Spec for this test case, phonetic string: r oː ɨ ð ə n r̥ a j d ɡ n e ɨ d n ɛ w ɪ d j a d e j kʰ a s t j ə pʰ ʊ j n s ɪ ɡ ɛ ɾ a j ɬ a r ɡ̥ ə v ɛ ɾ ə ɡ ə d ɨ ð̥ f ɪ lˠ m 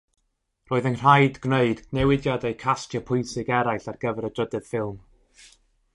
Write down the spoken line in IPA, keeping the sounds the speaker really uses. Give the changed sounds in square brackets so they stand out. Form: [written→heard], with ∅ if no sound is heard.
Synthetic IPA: r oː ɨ ð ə n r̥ a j d ɡ n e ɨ d n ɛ w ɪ d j a d e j kʰ a s t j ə pʰ ʊ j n s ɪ ɡ ɛ ɾ a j ɬ a r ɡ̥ ə v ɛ ɾ ə [ɡ→d] ə d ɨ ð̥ f ɪ lˠ m